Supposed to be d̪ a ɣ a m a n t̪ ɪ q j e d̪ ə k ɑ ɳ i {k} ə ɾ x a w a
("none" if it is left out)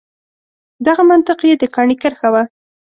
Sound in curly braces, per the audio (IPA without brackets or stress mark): k